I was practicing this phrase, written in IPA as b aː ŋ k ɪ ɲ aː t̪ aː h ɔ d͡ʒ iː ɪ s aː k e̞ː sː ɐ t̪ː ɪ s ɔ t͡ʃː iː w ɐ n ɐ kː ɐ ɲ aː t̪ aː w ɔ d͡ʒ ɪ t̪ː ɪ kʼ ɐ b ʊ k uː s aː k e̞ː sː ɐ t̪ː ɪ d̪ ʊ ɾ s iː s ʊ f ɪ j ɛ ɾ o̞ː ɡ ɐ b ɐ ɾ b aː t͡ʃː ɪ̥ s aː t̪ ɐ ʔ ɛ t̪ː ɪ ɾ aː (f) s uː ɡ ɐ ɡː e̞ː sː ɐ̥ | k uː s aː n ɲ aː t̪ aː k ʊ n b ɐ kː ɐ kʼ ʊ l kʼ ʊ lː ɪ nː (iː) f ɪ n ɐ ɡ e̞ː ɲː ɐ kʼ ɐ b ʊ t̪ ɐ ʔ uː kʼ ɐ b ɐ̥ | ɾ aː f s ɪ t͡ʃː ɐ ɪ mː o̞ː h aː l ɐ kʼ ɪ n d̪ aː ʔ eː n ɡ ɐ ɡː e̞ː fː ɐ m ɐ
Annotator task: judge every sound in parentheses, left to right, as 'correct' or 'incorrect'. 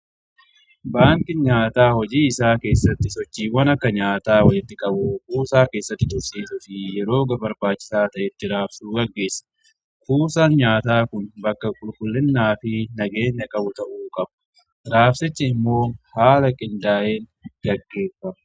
correct, incorrect

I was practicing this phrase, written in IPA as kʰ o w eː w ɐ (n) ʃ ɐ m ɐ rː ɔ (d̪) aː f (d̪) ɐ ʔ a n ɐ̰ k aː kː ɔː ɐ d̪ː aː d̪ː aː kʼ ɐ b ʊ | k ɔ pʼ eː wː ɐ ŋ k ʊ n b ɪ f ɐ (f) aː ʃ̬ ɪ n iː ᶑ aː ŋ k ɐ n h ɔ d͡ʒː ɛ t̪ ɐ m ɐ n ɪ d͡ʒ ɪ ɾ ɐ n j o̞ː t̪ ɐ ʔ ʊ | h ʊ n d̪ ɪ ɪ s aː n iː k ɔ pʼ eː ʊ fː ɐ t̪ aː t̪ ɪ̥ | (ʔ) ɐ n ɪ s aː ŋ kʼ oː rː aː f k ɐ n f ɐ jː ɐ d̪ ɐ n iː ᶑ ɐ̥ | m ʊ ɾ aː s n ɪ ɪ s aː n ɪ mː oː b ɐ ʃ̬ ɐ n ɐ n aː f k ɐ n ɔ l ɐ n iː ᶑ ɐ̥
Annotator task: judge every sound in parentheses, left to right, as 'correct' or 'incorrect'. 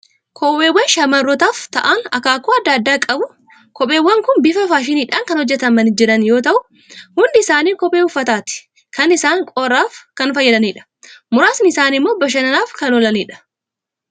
correct, incorrect, incorrect, correct, incorrect

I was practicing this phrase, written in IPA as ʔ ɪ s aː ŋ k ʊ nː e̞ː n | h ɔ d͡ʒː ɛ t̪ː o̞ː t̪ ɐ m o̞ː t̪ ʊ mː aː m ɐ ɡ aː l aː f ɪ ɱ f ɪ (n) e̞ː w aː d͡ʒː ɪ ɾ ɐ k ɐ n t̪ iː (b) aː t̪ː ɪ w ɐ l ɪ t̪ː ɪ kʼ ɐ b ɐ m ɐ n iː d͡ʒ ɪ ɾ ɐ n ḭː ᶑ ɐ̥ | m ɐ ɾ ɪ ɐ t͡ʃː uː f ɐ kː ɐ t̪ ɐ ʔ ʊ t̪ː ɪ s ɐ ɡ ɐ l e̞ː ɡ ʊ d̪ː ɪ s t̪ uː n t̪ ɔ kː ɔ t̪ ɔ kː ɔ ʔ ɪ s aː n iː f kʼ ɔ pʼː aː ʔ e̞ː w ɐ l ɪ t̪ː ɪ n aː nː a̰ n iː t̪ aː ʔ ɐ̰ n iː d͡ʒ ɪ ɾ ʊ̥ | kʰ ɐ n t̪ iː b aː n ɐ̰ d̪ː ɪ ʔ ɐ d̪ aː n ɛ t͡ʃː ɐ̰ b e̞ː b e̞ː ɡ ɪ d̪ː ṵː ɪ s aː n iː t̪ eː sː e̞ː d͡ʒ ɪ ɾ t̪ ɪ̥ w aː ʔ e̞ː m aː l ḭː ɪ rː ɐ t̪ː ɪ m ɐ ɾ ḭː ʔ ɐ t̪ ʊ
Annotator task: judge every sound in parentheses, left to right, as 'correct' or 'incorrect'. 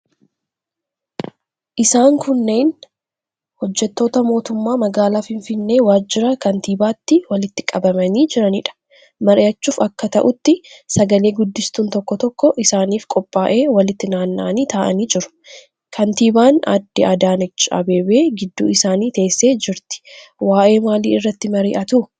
incorrect, correct

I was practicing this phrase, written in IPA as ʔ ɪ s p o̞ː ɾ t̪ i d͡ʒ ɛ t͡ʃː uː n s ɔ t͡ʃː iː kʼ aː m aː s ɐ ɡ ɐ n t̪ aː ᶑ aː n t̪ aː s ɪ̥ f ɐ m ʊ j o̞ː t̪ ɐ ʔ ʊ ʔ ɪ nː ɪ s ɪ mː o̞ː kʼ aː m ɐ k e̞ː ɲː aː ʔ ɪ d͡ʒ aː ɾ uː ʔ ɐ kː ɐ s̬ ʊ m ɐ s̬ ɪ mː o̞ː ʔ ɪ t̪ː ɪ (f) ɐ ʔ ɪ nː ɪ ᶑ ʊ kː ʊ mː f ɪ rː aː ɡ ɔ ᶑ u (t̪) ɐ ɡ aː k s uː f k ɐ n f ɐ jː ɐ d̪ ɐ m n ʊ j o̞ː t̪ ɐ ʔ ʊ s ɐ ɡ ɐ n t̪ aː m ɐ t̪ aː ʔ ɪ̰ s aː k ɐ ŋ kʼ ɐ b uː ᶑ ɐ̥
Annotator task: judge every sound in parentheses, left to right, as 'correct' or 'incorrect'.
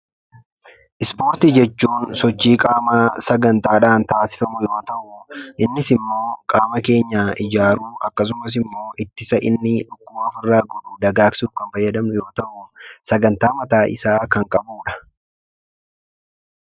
incorrect, incorrect

